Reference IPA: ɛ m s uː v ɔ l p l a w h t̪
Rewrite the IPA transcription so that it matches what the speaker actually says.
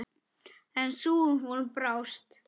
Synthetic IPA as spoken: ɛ n s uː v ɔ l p ɾ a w s t̪